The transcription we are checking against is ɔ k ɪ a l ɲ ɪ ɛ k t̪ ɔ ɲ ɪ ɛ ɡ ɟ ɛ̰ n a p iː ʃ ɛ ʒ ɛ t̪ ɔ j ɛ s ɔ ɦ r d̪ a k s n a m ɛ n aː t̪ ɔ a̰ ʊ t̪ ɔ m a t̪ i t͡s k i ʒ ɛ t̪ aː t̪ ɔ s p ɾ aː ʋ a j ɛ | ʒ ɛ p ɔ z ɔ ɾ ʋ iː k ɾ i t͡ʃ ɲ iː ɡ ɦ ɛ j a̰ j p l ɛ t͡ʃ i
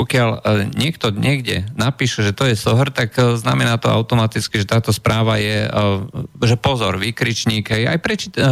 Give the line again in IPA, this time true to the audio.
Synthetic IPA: ɔ k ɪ a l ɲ ɪ ɛ k t̪ ɔ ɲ ɪ ɛ ɡ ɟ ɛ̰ n a p iː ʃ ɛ ʒ ɛ t̪ ɔ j ɛ s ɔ ɦ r t̪ a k z n a m ɛ n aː t̪ ɔ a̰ ʊ t̪ ɔ m a t̪ i t͡s k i ʒ ɛ t̪ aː t̪ ɔ s p ɾ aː ʋ a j ɛ | ʒ ɛ p ɔ z ɔ ɾ ʋ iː k ɾ i t͡ʃ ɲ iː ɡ ɦ ɛ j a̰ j p ɾ ɛ t͡ʃ i